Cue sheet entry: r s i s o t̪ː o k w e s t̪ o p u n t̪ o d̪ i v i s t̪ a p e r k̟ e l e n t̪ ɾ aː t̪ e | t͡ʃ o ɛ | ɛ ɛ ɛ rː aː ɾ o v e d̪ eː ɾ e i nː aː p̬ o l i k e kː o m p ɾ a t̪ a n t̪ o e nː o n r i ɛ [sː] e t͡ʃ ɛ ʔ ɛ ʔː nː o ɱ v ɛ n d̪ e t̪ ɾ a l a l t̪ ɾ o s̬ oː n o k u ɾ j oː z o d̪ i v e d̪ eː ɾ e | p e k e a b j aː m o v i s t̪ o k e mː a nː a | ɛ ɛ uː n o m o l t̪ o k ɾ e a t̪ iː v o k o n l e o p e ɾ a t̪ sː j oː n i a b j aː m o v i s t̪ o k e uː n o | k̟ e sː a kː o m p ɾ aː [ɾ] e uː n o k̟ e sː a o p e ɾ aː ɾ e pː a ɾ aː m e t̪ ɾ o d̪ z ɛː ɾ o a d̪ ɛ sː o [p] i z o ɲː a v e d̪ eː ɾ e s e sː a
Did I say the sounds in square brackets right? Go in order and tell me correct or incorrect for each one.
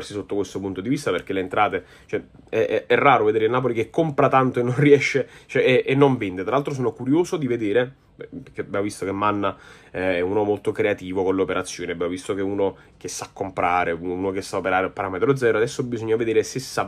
incorrect: ʃː, correct, incorrect: b

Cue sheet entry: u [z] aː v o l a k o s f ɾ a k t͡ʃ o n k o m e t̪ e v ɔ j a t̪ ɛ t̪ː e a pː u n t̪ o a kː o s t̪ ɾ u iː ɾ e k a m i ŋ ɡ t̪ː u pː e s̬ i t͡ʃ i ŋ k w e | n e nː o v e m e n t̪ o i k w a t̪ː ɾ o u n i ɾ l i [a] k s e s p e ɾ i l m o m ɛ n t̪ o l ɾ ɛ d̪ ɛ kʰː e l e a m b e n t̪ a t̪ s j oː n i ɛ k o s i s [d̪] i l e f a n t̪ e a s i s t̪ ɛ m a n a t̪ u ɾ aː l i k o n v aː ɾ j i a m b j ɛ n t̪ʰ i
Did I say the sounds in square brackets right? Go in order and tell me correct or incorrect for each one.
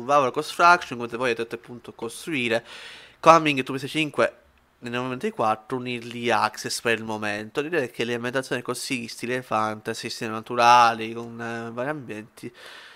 incorrect: v, correct, incorrect: t̪

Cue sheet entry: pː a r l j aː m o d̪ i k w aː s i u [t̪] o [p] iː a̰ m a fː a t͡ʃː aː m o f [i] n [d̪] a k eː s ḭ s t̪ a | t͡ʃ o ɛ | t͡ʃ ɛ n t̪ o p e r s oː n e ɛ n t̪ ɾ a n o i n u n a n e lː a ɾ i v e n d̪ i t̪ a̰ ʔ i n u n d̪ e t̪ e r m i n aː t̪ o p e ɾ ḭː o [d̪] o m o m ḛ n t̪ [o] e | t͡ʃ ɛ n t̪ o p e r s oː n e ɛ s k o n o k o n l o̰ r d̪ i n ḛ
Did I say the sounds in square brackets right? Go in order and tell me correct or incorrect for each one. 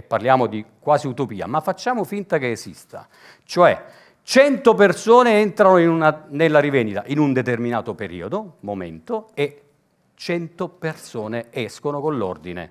correct, correct, correct, incorrect: t̪, correct, correct

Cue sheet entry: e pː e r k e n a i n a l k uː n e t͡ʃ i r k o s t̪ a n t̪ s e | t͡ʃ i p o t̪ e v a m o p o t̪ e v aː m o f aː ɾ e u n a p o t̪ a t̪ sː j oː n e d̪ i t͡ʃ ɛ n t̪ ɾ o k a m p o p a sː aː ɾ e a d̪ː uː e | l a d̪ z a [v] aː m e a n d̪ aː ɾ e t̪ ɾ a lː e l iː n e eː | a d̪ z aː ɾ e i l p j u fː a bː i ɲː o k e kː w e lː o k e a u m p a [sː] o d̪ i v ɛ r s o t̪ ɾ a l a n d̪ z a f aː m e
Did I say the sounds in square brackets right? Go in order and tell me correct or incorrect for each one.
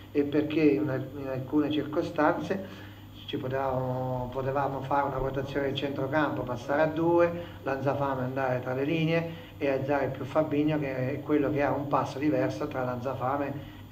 incorrect: f, correct

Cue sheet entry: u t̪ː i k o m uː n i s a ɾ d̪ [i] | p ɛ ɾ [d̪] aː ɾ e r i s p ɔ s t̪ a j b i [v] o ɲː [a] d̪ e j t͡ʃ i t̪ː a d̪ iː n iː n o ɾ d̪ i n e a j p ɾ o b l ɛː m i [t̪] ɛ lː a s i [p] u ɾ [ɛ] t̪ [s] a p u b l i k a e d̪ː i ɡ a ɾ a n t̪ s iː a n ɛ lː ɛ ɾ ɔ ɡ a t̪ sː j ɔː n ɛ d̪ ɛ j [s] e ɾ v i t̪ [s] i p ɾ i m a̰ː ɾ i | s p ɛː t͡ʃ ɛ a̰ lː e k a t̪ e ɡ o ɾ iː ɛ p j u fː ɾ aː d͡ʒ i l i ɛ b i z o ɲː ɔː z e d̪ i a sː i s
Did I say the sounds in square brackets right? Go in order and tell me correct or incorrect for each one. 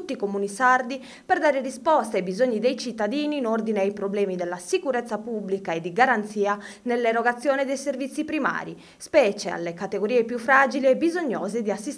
correct, correct, incorrect: z, incorrect: i, incorrect: d̪, incorrect: k, correct, incorrect: sː, correct, incorrect: sː

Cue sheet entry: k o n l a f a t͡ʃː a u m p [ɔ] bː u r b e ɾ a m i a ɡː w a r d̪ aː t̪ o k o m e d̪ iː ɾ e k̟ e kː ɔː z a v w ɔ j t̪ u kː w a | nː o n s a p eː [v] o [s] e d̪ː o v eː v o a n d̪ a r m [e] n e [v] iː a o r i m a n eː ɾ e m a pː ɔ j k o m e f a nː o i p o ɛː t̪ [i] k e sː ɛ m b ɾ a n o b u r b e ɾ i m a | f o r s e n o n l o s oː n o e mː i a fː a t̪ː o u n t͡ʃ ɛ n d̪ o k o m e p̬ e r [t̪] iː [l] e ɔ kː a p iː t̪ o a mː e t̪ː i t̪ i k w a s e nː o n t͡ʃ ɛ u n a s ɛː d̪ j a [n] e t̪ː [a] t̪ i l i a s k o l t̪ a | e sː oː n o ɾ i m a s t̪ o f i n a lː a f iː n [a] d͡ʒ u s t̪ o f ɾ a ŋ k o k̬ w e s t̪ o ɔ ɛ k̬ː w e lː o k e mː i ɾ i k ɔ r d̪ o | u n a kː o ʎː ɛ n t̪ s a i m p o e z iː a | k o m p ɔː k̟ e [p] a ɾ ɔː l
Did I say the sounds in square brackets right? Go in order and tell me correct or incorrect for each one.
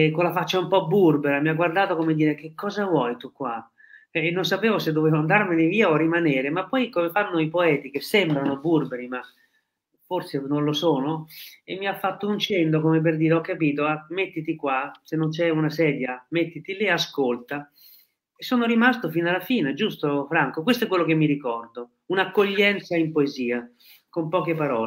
correct, correct, correct, correct, correct, correct, incorrect: d̪, incorrect: ɾ, incorrect: m, incorrect: i, incorrect: e, correct

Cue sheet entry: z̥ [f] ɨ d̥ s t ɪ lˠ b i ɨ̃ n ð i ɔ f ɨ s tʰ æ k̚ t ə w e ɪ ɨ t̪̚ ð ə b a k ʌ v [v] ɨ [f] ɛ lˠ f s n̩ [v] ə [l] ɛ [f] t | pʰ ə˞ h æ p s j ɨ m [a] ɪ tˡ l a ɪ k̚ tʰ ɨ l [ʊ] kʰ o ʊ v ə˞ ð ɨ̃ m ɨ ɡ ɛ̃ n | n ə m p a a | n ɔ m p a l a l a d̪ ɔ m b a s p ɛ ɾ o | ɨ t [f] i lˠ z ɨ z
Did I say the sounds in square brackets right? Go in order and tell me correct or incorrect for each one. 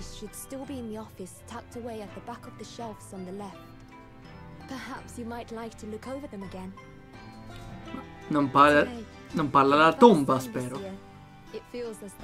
incorrect: ʃ, incorrect: ð, incorrect: ʃ, incorrect: ð, correct, correct, correct, correct, correct

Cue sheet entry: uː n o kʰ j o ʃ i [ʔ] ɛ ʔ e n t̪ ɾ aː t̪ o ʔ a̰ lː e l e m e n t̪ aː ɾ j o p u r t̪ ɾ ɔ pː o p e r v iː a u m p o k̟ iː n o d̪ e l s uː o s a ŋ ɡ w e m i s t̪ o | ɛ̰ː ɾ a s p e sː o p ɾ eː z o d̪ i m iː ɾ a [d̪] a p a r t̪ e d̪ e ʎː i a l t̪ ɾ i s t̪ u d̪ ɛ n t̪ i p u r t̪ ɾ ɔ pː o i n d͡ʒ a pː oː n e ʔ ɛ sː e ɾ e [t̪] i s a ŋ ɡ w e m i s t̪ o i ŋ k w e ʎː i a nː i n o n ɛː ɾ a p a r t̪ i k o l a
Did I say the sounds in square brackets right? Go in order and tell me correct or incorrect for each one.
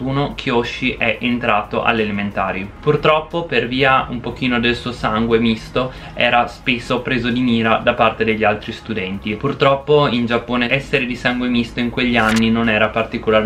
correct, correct, incorrect: d̪

